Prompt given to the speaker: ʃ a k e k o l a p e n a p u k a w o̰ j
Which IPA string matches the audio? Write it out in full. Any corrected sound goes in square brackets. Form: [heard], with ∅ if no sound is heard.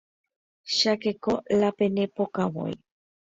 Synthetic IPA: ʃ a k e k o l a p e n [e] p [o] k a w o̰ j